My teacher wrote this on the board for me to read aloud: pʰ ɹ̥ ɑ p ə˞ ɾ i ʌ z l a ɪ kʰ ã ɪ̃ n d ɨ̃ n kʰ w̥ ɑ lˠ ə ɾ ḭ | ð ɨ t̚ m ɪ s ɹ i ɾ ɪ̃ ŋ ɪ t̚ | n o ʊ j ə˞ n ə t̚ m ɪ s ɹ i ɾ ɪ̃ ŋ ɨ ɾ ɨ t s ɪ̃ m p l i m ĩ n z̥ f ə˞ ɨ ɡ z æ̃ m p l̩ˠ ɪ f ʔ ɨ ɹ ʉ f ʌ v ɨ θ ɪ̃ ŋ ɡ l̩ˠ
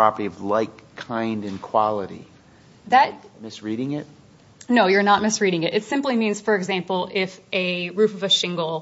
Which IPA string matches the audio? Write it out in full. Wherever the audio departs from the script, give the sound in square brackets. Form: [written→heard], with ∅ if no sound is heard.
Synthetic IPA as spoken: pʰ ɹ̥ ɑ p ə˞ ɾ i ʌ [z→v] l a ɪ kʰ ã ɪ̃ n d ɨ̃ n kʰ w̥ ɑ lˠ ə ɾ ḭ | ð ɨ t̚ m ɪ s ɹ i ɾ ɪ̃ ŋ ɪ t̚ | n o ʊ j ə˞ n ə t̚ m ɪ s ɹ i ɾ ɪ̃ ŋ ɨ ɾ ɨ t s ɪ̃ m p l i m ĩ n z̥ f ə˞ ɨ ɡ z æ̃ m p l̩ˠ ɪ f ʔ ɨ ɹ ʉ f ʌ v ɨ [θ→ʃ] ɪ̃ ŋ ɡ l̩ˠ